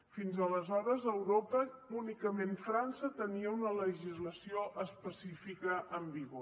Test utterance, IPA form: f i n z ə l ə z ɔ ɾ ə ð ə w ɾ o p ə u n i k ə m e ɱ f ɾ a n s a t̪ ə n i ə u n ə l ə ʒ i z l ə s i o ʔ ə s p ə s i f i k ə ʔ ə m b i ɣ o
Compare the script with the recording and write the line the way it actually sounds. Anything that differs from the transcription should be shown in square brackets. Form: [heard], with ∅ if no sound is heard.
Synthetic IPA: f i n z ə l ə z ɔ ɾ ə [z] ə w ɾ o p ə u n i k ə m e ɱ f ɾ a n s [ə] t̪ ə n i ə u n ə l ə ʒ i z l ə s i o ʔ ə s p ə s i f i k ə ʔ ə m b i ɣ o